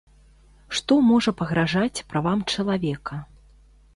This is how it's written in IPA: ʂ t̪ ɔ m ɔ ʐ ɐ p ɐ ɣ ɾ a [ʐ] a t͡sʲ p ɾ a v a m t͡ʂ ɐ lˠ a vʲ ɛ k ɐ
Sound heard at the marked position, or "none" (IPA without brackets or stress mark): ʐ